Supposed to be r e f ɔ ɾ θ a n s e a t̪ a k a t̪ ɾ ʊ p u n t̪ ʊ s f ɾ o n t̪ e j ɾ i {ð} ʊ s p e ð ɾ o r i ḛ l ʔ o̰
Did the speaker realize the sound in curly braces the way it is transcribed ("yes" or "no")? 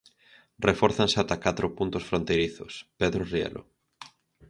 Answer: no